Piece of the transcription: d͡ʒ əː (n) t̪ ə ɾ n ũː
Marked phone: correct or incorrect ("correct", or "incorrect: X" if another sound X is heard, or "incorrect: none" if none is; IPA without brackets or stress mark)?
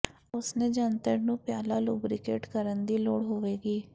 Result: correct